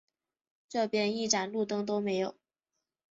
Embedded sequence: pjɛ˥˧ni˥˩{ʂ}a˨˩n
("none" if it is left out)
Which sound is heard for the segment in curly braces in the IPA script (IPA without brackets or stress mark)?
ʈ͡ʂ